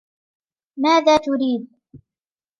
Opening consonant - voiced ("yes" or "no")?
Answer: yes